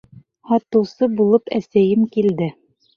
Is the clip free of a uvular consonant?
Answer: yes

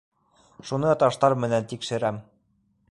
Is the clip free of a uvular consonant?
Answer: yes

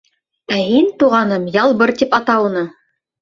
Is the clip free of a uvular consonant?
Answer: no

